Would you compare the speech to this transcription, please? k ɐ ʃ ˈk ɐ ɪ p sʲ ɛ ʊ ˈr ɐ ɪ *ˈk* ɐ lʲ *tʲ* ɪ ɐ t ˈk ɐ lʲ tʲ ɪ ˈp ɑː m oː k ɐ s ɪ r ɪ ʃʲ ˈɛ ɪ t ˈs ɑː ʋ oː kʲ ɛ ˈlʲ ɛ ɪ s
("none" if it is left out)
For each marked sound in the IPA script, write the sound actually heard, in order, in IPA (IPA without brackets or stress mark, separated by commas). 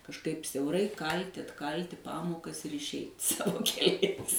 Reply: k, tʲ